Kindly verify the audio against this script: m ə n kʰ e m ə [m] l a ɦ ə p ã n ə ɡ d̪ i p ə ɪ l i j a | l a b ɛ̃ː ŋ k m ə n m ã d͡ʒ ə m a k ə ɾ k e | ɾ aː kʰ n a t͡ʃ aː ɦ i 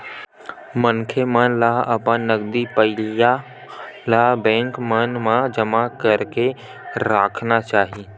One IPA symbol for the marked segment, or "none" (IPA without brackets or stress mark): n